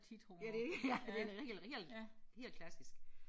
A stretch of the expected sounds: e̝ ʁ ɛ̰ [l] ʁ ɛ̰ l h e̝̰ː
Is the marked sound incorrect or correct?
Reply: correct